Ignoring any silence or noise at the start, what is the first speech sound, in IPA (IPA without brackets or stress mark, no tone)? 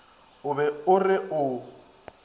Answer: ʊ